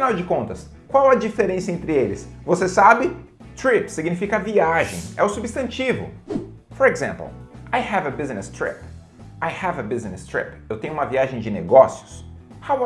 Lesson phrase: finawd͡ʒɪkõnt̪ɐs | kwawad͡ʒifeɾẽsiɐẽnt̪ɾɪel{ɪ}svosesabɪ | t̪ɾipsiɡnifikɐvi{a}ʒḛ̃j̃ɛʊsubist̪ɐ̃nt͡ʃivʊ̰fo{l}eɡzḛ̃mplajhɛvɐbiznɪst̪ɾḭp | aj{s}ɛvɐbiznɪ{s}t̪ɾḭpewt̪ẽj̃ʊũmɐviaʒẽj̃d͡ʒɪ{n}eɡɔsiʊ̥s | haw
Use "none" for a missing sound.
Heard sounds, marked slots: ɪ, a, ɾ, h, s, n

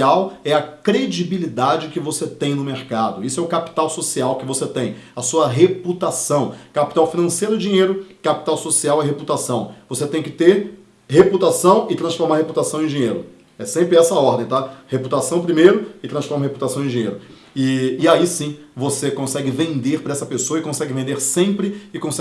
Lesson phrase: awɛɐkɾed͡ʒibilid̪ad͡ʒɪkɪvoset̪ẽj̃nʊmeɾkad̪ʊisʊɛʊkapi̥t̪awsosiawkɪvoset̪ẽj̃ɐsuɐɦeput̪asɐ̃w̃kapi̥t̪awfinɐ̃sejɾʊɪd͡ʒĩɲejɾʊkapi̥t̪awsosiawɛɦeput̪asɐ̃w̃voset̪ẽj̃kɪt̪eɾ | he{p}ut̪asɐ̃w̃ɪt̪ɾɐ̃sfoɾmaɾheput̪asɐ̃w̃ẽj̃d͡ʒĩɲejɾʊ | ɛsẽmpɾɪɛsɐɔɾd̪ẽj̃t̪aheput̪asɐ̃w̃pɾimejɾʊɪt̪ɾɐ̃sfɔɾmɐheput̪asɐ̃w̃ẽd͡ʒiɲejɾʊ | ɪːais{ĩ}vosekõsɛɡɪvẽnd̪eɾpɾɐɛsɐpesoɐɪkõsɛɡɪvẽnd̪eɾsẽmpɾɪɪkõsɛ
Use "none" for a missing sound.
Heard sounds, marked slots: p, ĩ

